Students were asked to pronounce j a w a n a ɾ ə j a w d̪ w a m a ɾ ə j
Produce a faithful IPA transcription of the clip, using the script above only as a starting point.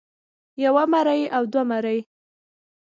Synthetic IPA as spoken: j a w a m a ɾ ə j a w d̪ w a m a ɾ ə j